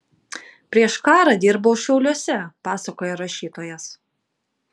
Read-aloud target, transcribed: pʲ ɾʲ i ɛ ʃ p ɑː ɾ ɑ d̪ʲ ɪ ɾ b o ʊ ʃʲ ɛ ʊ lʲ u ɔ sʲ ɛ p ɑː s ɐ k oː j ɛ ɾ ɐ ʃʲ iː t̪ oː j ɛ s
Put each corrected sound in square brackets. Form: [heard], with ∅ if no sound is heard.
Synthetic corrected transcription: pʲ ɾʲ i ɛ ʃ [k] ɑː ɾ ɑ d̪ʲ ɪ ɾ b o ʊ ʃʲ ɛ ʊ lʲ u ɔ sʲ ɛ p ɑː s ɐ k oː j ɛ ɾ ɐ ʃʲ iː t̪ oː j ɛ s

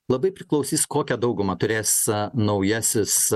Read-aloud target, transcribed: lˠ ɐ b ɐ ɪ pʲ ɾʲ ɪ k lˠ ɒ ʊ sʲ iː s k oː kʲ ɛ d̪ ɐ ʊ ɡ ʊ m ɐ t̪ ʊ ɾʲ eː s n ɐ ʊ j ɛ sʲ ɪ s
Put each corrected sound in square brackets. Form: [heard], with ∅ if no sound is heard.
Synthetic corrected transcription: lˠ ɐ b ɐ ɪ pʲ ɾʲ ɪ k lˠ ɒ ʊ sʲ iː s k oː kʲ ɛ d̪ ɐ ʊ ɡ ʊ m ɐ t̪ ʊ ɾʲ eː s n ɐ ʊ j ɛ sʲ ɪ s

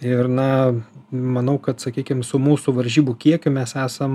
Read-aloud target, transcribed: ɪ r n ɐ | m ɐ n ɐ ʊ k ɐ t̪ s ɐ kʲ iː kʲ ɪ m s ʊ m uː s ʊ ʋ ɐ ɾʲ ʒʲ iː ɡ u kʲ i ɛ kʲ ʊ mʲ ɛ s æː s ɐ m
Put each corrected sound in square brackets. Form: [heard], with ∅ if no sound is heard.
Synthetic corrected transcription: ɪ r n ɐ | m ɐ n ɐ ʊ k ɐ t̪ s ɐ kʲ iː kʲ ɪ m s ʊ m uː s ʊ ʋ ɐ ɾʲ ʒʲ iː [b] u kʲ i ɛ kʲ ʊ mʲ ɛ s æː s ɐ m

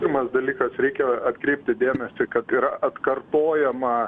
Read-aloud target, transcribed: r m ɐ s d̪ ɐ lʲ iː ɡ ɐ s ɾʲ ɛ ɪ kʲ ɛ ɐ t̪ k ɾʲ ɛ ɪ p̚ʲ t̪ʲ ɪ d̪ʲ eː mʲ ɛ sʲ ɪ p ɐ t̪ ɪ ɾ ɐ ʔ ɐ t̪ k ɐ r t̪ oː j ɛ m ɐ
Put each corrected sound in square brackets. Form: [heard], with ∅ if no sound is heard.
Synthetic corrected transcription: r m ɐ s d̪ ɐ lʲ iː [k] ɐ s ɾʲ ɛ ɪ kʲ ɛ ɐ t̪ k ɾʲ ɛ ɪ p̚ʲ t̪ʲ ɪ d̪ʲ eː mʲ ɛ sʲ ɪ [k] ɐ t̪ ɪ ɾ ɐ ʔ ɐ t̪ k ɐ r t̪ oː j ɛ m ɐ

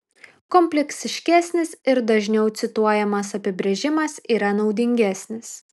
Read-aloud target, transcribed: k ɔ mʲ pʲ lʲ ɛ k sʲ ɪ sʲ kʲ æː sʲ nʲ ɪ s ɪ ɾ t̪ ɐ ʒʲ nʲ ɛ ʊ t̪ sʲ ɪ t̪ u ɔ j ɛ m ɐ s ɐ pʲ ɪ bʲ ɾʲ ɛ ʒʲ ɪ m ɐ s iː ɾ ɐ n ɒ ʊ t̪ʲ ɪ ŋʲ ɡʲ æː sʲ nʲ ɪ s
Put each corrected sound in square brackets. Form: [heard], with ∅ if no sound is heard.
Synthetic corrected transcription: k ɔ mʲ pʲ lʲ ɛ k sʲ ɪ [ʃʲ] kʲ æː sʲ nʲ ɪ s ɪ ɾ [d̪] ɐ ʒʲ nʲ ɛ ʊ t̪ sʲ ɪ t̪ u ɔ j ɛ m ɐ s ɐ pʲ ɪ bʲ ɾʲ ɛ ʒʲ ɪ m ɐ s iː ɾ ɐ n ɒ ʊ [d̪ʲ] ɪ ŋʲ ɡʲ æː sʲ nʲ ɪ s

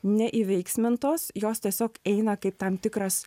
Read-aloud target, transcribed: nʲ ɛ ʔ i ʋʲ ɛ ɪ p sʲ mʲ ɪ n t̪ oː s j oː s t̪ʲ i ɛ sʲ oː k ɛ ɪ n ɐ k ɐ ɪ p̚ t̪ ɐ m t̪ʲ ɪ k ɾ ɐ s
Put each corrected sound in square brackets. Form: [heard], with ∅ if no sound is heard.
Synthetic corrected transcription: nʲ ɛ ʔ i ʋʲ ɛ ɪ [k] sʲ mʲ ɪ n t̪ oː s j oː s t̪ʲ i ɛ sʲ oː k ɛ ɪ n ɐ k ɐ ɪ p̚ t̪ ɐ m t̪ʲ ɪ k ɾ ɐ s

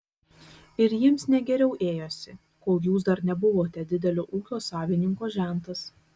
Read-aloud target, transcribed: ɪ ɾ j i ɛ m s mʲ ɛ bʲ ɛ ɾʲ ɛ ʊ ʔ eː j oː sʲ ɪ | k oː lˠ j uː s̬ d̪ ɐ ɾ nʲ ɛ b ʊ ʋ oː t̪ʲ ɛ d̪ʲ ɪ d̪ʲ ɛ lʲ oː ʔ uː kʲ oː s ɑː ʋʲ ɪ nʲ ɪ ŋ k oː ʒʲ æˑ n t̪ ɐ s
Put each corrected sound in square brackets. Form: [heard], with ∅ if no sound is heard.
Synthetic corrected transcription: ɪ ɾ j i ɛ m s [nʲ] ɛ [ɡʲ] ɛ ɾʲ ɛ ʊ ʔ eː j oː sʲ ɪ | k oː lˠ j uː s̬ d̪ ɐ ɾ nʲ ɛ b ʊ ʋ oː t̪ʲ ɛ d̪ʲ ɪ d̪ʲ ɛ lʲ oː ʔ uː kʲ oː s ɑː ʋʲ ɪ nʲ ɪ ŋ k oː ʒʲ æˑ n t̪ ɐ s

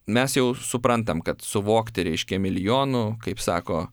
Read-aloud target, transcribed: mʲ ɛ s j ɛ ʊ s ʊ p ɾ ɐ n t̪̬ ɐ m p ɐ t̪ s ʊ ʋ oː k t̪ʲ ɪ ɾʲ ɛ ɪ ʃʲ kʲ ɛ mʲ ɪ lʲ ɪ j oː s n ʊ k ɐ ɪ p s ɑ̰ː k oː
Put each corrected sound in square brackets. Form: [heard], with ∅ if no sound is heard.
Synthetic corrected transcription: mʲ ɛ s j ɛ ʊ s ʊ p ɾ ɐ n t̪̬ ɐ m [k] ɐ t̪ s ʊ ʋ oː k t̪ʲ ɪ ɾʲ ɛ ɪ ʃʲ kʲ ɛ mʲ ɪ lʲ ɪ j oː [∅] n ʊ k ɐ ɪ p s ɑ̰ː k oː

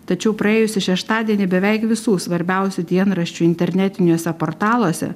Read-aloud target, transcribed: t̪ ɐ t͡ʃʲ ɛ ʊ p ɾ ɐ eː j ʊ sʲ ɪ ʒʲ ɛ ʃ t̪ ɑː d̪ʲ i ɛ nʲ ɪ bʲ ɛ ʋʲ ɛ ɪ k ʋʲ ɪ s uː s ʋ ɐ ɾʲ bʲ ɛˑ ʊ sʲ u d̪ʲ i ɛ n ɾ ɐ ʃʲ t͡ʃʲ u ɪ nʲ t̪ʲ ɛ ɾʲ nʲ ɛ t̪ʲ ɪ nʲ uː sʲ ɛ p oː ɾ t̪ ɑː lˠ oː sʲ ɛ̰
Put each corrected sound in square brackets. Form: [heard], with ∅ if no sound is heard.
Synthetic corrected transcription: t̪ ɐ t͡ʃʲ ɛ ʊ p ɾ ɐ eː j ʊ sʲ ɪ [ʃʲ] ɛ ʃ t̪ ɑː d̪ʲ i ɛ nʲ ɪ bʲ ɛ ʋʲ ɛ ɪ k ʋʲ ɪ s uː s ʋ ɐ ɾʲ bʲ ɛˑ ʊ sʲ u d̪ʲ i ɛ n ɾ ɐ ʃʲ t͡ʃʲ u ɪ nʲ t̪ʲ ɛ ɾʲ nʲ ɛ t̪ʲ ɪ nʲ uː sʲ ɛ p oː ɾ t̪ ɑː lˠ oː sʲ ɛ̰

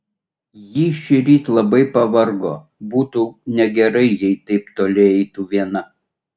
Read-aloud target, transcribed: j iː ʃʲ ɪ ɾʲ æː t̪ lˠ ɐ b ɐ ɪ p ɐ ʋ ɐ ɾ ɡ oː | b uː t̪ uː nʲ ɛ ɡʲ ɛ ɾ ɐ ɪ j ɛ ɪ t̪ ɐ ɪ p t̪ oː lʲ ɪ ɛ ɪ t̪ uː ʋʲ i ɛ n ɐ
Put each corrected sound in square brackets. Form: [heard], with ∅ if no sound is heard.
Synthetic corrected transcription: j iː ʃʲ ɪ ɾʲ [iː] t̪ lˠ ɐ b ɐ ɪ p ɐ ʋ ɐ ɾ ɡ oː | b uː t̪ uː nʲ ɛ ɡʲ ɛ ɾ ɐ ɪ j ɛ ɪ t̪ ɐ ɪ p t̪ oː lʲ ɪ ɛ ɪ t̪ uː ʋʲ i ɛ n ɐ

